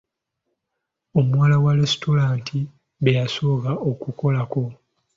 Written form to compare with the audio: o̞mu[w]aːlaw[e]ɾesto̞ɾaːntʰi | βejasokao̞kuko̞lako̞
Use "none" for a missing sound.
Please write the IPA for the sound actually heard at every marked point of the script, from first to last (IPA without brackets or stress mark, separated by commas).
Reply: w, a